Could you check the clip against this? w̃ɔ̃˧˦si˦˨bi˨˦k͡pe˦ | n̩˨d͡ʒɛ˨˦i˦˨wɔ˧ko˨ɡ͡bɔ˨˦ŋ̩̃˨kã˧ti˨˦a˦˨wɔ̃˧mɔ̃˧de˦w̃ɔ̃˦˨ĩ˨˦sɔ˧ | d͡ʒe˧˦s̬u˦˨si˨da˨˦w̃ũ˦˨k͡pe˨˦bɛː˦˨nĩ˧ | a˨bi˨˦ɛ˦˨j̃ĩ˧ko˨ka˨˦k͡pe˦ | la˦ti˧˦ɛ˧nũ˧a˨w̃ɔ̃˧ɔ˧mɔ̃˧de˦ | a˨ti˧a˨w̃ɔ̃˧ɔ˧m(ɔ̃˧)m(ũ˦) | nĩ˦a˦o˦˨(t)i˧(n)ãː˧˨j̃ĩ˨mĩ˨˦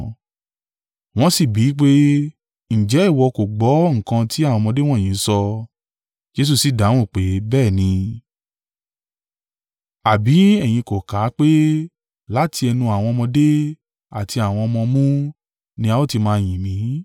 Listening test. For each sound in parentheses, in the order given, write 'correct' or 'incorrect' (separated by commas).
correct, correct, correct, incorrect